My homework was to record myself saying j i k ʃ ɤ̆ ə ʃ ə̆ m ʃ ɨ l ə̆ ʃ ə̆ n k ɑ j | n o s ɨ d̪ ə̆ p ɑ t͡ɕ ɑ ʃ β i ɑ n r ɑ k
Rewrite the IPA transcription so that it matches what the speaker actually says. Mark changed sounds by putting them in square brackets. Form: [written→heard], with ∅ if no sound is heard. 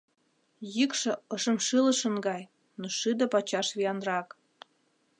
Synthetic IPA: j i k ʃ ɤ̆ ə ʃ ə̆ m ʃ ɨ l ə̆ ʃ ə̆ n [k→ɡ] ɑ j | n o [s→ʃ] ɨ d̪ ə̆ p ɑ t͡ɕ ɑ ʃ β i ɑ n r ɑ k